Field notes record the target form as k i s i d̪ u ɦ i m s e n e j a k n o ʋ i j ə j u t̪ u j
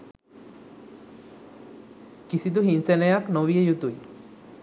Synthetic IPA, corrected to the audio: k i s i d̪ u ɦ i n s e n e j a k n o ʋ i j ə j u t̪ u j